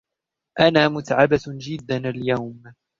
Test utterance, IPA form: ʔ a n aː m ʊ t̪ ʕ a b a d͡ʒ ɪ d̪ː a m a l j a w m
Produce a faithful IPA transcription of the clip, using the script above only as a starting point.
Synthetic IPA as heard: ʔ a n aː m ʊ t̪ ʕ a b a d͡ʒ ɪ d̪ː a n a l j a w m